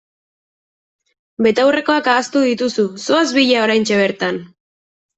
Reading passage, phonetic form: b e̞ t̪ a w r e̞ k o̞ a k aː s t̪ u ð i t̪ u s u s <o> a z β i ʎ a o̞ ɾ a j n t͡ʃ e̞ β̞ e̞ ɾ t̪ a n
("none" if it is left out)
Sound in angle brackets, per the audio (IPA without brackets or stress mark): o